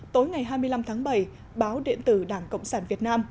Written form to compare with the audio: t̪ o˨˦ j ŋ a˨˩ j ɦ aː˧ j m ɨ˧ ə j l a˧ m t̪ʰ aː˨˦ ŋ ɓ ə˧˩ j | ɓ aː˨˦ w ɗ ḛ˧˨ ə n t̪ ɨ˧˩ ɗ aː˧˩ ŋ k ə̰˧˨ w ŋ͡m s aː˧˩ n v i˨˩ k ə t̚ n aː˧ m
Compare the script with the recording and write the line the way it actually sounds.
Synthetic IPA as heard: t̪ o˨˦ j ŋ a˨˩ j ɦ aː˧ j m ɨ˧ ə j l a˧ m t̪ʰ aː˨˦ ŋ ɓ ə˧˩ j | ɓ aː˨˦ w ɗ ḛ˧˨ ə n t̪ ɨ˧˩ ɗ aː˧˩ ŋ k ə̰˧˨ w ŋ͡m s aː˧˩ n v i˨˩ ə t̚ n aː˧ m